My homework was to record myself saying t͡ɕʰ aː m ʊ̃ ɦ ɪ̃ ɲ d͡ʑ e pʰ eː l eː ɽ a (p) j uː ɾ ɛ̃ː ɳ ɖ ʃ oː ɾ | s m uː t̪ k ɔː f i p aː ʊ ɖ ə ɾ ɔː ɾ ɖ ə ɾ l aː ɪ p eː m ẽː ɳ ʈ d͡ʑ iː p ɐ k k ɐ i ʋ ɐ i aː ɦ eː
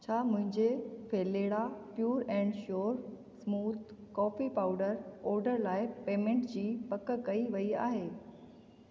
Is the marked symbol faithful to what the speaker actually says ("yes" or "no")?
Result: yes